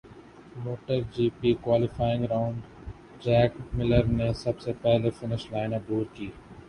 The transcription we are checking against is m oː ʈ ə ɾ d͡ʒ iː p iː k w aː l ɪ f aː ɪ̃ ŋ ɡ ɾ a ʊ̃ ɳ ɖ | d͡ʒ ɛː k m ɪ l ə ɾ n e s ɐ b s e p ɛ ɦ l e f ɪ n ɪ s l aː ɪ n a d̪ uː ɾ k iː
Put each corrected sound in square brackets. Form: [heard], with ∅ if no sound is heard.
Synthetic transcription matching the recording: m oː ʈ ə ɾ d͡ʒ iː p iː k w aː l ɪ f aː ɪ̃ ŋ ɡ ɾ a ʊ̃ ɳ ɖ | d͡ʒ ɛː k m ɪ l ə ɾ n e s ɐ b s e p ɛ ɦ l e f ɪ n ɪ [ʃ] l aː ɪ n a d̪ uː ɾ k iː